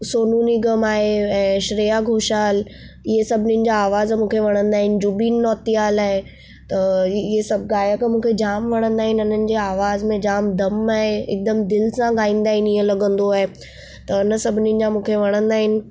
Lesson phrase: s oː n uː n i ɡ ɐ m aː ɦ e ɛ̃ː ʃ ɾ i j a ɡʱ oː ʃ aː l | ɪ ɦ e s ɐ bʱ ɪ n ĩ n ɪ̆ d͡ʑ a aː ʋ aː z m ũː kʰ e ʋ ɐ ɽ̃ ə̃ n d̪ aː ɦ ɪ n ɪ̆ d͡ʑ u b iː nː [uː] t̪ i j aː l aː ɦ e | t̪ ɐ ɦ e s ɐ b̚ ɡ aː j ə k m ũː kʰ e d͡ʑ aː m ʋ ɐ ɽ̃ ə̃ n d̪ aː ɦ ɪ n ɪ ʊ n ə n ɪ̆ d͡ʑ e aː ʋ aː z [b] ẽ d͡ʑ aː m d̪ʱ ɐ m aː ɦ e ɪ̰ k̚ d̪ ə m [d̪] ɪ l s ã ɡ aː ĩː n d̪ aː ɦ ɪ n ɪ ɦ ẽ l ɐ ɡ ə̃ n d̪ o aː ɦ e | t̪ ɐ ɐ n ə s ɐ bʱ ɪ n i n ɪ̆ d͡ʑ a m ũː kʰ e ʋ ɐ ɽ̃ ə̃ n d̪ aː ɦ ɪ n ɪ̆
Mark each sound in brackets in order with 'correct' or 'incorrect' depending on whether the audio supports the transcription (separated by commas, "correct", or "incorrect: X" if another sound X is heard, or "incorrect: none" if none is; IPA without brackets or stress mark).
incorrect: ɔː, incorrect: m, correct